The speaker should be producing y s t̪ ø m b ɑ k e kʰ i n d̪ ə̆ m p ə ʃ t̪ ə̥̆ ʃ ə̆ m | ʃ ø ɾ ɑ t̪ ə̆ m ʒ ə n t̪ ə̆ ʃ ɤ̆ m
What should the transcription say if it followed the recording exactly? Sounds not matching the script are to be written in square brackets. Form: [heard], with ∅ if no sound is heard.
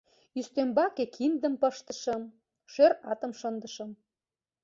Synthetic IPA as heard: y s t̪ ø m b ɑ k e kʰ i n d̪ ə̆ m p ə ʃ t̪ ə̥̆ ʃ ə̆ m | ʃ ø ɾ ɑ t̪ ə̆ m [ʃ] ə n [d̪] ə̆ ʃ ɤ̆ m